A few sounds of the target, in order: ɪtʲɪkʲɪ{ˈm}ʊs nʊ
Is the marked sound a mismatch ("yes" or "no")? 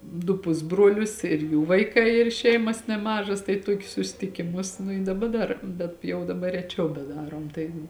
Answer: no